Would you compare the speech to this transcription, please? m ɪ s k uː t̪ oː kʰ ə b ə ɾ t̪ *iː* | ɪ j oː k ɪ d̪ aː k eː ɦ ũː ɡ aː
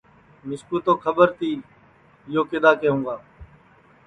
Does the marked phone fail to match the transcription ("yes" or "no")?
no